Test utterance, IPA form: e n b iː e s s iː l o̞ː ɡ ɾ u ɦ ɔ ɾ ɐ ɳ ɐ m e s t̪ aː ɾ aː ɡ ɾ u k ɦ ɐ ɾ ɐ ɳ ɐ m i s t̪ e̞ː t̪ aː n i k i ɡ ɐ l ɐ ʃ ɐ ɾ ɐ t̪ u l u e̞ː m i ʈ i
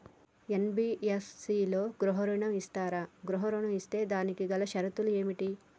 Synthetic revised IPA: e n b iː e s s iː l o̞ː ɡ ɾ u ɦ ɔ ɾ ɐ ɳ ɐ m i s t̪ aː ɾ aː ɡ ɾ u ɦ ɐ ɾ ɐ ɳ ɐ m i s t̪ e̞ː d̪ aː n i k i ɡ ɐ l ɐ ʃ ɐ ɾ ɐ t̪ u l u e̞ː m i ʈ i